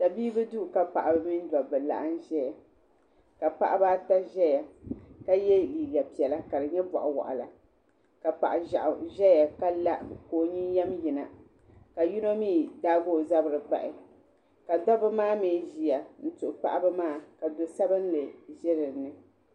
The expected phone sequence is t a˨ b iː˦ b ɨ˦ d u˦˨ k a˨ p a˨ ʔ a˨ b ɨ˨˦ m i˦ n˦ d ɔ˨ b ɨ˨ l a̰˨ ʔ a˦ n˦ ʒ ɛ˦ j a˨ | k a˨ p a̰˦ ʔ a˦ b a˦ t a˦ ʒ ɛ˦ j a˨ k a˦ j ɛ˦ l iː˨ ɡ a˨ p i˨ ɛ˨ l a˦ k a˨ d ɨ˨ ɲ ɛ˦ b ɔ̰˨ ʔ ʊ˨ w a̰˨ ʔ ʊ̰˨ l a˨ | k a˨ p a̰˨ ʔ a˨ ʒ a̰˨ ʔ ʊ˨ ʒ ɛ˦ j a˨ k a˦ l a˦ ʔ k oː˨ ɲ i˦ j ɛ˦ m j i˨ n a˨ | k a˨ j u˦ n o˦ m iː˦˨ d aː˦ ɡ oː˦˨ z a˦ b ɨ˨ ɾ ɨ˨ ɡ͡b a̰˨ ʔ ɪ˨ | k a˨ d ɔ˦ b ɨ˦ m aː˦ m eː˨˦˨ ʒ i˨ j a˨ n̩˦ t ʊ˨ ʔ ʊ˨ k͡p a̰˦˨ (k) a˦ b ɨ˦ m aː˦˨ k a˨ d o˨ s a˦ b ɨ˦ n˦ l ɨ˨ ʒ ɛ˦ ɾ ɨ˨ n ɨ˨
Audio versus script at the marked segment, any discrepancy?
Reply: yes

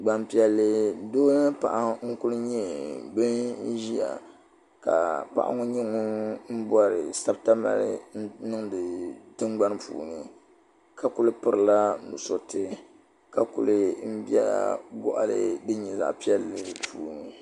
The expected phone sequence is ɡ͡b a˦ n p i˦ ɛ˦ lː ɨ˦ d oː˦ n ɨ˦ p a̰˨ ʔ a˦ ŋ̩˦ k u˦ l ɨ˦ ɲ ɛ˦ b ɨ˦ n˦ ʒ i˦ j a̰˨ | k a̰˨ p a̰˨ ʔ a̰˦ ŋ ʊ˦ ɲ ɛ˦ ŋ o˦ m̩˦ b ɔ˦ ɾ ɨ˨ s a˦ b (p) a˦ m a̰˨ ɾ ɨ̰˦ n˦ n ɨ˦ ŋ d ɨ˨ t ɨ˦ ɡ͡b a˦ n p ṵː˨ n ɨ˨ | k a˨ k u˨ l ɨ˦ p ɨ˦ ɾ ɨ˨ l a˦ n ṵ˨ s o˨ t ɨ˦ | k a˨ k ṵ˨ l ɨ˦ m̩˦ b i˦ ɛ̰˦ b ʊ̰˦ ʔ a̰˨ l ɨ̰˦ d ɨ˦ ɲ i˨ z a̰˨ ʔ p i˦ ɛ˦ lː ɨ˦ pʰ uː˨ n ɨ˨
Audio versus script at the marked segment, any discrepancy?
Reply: yes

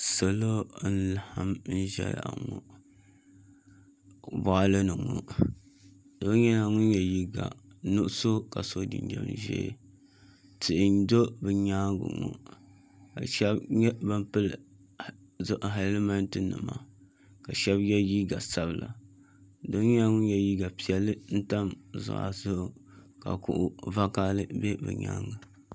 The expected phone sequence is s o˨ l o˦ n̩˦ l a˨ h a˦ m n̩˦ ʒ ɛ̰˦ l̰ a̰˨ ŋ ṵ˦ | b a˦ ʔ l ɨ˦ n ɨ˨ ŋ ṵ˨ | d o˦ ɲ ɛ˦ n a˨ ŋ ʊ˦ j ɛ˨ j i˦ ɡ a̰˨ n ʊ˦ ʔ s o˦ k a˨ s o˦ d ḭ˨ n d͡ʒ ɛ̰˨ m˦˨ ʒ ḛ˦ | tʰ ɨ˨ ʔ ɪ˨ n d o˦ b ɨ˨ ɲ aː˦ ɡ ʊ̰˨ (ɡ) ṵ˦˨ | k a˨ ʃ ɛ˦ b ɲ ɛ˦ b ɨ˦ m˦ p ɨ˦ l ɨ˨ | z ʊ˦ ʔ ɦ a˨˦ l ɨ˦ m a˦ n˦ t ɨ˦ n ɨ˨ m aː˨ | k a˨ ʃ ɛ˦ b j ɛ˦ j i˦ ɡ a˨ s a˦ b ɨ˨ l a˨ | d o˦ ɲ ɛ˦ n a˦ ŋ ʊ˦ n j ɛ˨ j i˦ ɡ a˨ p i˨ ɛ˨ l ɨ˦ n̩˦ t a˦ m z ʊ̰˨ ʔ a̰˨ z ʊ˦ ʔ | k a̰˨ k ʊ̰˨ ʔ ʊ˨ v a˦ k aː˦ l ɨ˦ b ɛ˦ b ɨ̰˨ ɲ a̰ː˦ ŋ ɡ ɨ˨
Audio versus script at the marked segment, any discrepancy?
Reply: yes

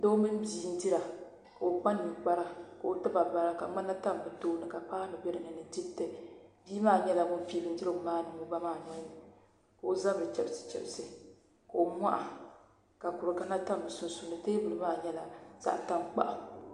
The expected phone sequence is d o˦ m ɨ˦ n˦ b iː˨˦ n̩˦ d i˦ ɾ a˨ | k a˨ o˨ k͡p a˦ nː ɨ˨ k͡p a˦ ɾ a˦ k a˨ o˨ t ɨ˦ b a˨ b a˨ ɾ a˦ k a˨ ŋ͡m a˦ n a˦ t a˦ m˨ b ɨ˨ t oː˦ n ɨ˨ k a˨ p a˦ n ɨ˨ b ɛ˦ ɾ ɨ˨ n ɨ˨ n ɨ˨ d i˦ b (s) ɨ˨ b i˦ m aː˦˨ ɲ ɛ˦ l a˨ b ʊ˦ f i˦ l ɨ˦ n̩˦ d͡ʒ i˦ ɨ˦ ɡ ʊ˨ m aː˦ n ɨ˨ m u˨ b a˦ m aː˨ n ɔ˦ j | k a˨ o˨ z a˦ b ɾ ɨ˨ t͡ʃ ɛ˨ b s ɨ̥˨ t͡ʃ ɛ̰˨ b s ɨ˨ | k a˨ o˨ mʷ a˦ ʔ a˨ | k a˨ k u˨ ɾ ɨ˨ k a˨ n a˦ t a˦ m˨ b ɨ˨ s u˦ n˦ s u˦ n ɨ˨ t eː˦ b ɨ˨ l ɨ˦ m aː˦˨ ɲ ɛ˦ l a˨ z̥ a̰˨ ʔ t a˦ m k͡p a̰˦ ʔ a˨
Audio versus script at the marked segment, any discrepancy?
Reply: yes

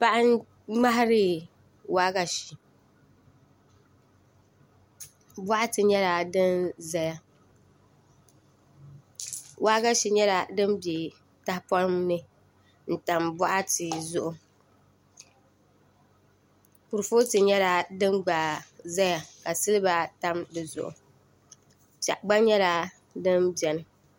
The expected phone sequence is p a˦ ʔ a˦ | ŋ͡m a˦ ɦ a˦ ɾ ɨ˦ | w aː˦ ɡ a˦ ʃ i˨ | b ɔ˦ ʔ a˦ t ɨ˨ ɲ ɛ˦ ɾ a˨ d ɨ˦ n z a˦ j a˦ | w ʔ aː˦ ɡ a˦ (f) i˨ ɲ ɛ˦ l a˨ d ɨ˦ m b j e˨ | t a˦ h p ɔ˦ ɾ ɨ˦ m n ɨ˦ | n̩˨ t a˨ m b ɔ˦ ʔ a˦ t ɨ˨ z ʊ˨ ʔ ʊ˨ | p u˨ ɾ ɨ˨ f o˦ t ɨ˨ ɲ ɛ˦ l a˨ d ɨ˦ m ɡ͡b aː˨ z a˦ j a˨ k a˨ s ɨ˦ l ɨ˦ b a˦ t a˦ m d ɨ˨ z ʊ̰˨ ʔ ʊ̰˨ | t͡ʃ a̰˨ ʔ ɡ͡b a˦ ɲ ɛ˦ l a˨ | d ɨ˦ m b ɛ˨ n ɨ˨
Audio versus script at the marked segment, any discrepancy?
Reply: yes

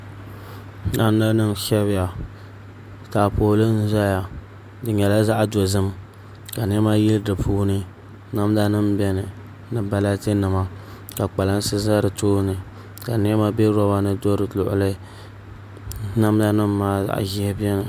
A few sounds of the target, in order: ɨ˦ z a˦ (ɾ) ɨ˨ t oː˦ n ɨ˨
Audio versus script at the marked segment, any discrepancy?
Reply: no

